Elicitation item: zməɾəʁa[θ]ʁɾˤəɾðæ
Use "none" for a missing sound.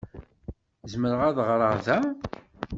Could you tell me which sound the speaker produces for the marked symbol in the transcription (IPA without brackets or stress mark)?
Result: ð